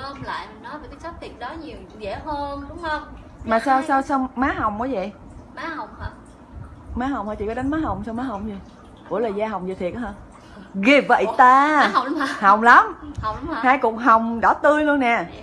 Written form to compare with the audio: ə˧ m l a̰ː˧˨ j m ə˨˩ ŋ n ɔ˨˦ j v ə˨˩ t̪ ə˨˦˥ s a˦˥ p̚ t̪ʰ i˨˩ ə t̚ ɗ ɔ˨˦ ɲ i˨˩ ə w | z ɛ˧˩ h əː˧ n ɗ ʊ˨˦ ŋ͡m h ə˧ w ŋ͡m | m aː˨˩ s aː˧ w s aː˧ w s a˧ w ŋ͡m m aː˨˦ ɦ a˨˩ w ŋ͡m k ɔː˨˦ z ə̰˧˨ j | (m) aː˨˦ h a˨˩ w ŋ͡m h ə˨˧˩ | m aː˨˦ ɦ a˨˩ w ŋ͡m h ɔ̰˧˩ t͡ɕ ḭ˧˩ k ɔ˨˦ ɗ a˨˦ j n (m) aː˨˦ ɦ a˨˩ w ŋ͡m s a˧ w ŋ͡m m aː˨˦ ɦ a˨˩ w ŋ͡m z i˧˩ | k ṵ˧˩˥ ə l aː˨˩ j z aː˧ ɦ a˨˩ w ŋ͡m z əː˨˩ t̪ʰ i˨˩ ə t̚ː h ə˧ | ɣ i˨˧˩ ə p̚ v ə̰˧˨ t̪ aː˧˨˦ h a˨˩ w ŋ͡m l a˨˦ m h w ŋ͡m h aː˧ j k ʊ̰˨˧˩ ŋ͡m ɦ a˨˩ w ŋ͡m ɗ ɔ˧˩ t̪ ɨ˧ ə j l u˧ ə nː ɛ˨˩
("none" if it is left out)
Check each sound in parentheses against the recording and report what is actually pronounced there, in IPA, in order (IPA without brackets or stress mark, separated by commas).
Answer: m, m